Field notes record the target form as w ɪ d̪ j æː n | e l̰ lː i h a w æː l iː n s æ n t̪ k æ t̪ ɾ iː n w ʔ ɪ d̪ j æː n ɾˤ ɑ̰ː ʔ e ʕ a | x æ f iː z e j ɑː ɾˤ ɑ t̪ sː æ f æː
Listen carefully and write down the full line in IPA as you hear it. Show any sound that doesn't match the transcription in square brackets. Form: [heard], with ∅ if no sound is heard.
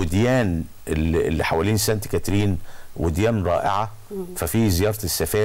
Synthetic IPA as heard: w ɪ d̪ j æː n | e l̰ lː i [ħ] a w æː l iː n s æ n t̪ k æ t̪ ɾ iː n w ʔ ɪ d̪ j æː n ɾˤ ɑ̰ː ʔ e ʕ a | [f] æ f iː z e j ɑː ɾˤ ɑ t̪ sː æ f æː